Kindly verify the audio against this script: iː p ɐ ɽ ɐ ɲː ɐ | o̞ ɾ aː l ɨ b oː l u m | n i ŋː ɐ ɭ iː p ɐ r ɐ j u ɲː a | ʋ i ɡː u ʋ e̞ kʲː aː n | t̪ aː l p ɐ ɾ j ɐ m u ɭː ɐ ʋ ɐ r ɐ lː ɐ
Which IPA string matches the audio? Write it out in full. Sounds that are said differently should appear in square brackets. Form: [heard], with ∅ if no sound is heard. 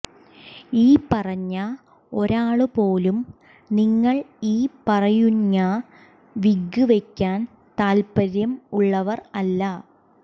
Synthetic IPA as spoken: iː p ɐ [r] ɐ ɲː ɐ | o̞ ɾ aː [ɭ] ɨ [p] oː l u m | n i ŋː ɐ ɭ iː p ɐ r ɐ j u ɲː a | ʋ i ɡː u ʋ e̞ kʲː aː n | t̪ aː l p ɐ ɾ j ɐ m u ɭː ɐ ʋ ɐ r ɐ lː ɐ